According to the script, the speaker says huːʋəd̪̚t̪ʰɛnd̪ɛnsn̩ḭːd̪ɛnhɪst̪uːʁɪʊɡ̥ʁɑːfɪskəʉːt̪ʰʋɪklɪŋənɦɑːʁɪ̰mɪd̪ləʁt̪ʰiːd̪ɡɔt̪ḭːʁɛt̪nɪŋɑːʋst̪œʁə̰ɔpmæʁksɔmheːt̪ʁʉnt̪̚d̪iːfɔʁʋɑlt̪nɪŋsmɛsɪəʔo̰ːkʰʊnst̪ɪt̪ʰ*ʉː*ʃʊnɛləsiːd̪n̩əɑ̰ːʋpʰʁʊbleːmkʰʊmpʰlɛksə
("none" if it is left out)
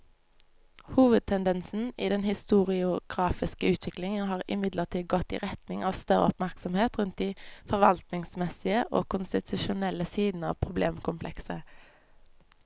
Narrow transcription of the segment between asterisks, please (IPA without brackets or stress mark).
ʉ